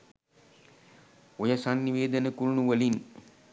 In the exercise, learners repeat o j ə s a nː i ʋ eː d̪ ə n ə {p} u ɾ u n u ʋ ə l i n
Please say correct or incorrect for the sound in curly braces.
incorrect